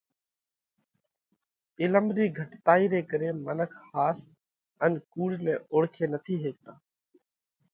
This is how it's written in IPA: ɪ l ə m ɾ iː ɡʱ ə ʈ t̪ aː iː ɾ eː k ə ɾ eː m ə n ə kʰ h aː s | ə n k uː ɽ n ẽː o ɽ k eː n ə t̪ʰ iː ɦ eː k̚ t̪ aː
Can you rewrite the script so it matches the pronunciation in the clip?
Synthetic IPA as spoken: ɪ l ə m ɾ iː ɡʱ ə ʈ t̪ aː iː ɾ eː k ə ɾ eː m ə n ə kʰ h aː s | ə n k uː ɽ n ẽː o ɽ kʰ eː n ə t̪ʰ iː ɦ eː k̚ t̪ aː